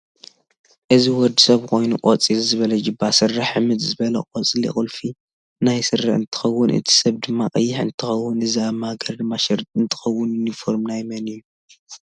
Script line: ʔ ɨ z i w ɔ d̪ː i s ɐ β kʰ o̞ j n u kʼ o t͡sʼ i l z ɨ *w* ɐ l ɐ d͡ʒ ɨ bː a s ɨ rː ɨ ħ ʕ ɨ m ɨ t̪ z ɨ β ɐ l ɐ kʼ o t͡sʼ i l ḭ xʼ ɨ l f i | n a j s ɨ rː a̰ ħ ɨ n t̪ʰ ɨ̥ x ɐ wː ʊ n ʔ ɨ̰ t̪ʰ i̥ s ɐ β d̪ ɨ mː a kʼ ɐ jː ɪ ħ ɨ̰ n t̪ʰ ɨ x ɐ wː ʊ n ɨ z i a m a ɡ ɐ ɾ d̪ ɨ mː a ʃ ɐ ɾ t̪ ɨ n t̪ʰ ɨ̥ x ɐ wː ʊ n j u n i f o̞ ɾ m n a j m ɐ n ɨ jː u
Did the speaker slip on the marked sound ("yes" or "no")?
yes